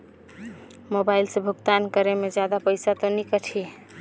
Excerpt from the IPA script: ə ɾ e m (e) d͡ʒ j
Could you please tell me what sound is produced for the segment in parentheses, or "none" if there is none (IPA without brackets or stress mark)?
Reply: e